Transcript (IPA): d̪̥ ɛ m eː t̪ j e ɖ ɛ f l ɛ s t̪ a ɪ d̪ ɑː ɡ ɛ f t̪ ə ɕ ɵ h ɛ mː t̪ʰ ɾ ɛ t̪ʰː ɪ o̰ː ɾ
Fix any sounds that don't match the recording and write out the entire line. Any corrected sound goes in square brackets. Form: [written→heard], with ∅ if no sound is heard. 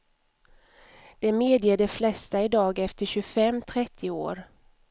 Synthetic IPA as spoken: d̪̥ ɛ m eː [t̪→d̪] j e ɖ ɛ f l ɛ s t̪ a ɪ d̪ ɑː ɡ ɛ f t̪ ə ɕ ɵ [h→f] ɛ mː t̪ʰ ɾ ɛ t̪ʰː ɪ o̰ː ɾ